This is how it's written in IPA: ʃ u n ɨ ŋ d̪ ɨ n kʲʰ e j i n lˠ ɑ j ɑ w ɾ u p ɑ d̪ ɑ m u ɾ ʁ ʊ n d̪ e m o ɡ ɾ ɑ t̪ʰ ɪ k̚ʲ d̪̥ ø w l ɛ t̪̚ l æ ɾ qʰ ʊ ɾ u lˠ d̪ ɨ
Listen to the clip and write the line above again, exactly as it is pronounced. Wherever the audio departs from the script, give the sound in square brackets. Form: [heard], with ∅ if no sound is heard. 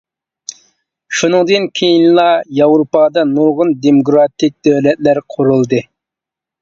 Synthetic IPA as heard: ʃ u n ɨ ŋ d̪ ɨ n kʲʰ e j i n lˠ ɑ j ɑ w ɾ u p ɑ d̪ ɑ [n] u ɾ ʁ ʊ n d̪ e m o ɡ ɾ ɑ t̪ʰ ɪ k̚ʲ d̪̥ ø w l ɛ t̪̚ l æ ɾ qʰ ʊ ɾ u lˠ d̪ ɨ